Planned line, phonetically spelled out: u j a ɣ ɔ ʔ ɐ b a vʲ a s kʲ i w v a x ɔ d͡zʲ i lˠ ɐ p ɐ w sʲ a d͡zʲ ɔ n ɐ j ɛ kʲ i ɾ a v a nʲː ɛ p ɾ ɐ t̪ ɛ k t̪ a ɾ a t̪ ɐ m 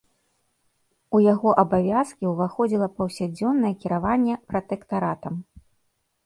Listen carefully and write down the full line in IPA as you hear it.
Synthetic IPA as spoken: u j a ɣ ɔ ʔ ɐ b a vʲ a s kʲ i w v a x ɔ d͡zʲ i lˠ ɐ p ɐ w sʲ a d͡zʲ ɔ nː ɐ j ɛ kʲ i ɾ a v a nʲː ɛ p ɾ ɐ t̪ ɛ k t̪ a ɾ a t̪ ɐ m